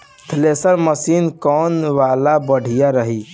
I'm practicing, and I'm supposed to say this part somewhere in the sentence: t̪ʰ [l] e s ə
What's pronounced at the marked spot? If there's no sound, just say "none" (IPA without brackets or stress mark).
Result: l